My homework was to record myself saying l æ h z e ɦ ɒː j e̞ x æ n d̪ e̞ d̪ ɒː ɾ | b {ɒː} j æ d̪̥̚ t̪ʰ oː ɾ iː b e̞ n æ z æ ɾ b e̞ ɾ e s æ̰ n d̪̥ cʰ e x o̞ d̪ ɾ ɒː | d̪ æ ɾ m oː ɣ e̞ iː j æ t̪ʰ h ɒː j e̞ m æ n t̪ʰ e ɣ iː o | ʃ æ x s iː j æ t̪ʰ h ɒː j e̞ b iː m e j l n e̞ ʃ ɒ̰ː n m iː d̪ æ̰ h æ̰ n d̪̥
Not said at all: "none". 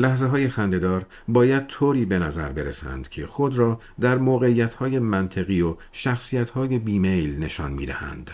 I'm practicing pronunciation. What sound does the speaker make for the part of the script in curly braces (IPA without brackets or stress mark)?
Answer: ɒː